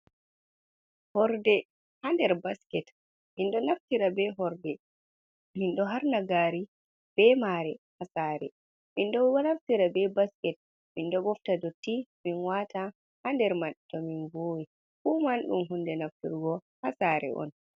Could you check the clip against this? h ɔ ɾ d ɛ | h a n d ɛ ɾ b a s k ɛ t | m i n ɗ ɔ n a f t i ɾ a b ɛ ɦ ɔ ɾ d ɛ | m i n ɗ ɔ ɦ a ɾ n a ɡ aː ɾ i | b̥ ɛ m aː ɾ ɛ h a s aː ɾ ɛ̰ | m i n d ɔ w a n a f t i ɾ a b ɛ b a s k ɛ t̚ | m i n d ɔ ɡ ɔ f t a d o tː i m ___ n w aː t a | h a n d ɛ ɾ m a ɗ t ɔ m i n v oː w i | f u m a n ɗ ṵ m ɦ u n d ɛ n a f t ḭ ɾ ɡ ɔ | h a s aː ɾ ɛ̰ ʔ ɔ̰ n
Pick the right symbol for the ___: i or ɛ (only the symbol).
i